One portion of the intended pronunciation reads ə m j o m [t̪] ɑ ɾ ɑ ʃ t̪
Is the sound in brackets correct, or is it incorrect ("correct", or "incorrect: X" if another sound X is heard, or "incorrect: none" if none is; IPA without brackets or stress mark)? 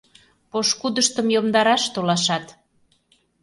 incorrect: d̪